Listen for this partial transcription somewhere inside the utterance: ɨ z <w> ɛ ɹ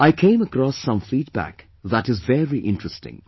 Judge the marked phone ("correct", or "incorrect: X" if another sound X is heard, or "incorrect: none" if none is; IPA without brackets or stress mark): incorrect: v